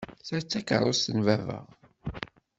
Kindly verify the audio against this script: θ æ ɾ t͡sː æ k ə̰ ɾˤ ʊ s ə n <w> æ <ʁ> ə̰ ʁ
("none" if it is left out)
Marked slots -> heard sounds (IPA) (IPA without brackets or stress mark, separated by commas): v, v